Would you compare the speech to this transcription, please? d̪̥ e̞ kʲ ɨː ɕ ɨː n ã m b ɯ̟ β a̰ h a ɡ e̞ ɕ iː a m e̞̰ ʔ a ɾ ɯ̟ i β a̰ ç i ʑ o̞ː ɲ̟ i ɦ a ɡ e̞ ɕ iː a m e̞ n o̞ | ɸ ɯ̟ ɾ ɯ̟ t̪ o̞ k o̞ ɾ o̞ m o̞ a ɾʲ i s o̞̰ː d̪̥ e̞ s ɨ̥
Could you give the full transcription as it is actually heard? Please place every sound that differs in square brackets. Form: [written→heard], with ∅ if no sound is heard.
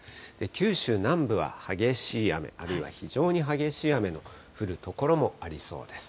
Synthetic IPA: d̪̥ e̞ kʲ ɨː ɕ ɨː n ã m b ɯ̟ β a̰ h a ɡ e̞ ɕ iː a m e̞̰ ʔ a ɾ ɯ̟ i β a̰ ç i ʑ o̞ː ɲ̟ i ɦ a ɡ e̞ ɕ iː a m e̞ n o̞ | ɸ ɯ̟ ɾ ɯ̟ t̪ o̞ k o̞ ɾ o̞ m o̞ a ɾʲ i s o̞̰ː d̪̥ e̞ s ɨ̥